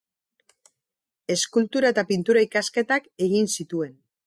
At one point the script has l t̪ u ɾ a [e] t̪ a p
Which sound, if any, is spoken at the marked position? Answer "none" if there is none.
e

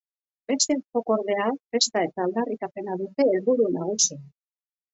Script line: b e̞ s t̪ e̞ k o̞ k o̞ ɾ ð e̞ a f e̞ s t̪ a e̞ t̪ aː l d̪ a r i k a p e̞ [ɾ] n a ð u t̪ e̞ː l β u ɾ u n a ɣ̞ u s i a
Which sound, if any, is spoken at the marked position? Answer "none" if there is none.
none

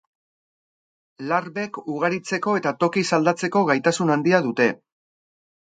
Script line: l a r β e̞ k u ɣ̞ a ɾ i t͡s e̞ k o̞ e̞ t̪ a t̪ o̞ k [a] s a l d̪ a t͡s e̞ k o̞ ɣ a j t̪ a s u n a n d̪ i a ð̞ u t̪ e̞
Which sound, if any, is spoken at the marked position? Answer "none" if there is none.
i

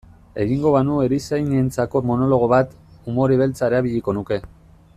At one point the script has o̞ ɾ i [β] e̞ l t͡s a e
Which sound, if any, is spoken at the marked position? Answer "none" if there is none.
β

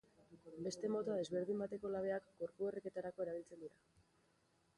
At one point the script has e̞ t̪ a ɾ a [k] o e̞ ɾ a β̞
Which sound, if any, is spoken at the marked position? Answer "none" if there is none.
k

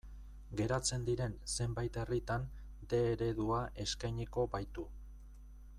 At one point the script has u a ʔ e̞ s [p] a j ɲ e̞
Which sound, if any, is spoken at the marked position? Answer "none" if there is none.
k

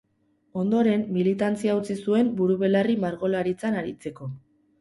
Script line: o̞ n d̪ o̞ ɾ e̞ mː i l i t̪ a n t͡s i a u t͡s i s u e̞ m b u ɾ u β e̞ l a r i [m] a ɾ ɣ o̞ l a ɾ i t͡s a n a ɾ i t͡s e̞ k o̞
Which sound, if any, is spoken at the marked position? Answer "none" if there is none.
m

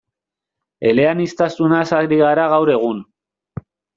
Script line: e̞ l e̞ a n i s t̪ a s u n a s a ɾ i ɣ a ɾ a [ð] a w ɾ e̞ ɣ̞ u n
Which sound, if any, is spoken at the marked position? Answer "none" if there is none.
ɣ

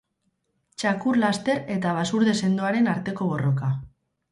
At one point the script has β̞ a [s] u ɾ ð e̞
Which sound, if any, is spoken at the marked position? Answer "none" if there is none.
s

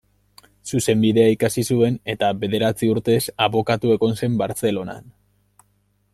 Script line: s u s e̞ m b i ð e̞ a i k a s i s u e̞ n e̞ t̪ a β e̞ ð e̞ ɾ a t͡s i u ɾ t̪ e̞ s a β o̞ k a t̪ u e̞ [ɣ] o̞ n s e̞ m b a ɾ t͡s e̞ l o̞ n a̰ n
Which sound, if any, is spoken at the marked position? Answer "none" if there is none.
ɣ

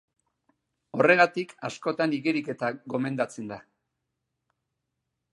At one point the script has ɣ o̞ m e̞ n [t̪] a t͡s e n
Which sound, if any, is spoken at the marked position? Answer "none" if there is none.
d̪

